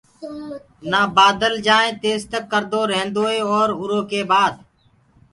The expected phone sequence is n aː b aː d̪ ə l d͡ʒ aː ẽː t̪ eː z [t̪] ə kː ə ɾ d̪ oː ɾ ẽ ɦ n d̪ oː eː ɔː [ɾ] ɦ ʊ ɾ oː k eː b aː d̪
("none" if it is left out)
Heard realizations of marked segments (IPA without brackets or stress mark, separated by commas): t̪, ɾ